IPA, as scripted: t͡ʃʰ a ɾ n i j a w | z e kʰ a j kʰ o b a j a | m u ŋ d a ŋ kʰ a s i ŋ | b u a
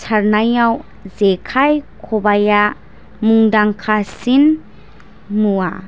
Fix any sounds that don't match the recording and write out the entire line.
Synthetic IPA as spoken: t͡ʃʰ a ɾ n a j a w | z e kʰ a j kʰ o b a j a | m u ŋ d a ŋ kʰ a s i n | m u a